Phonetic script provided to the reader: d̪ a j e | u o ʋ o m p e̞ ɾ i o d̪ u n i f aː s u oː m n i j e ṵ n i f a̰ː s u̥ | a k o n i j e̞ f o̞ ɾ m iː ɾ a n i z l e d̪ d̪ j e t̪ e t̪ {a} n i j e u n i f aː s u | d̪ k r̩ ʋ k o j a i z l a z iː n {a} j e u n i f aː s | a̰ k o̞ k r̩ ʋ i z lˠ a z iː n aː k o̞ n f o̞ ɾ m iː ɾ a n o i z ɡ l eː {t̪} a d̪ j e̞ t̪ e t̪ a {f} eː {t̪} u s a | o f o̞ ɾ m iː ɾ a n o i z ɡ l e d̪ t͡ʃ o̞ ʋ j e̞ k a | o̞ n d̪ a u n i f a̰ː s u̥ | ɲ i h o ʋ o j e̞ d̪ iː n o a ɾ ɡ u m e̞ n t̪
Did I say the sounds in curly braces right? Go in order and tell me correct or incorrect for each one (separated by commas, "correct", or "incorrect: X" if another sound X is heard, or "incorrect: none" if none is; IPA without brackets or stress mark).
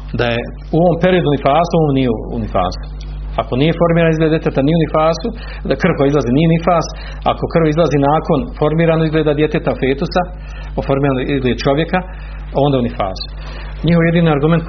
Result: correct, incorrect: i, incorrect: d̪, correct, correct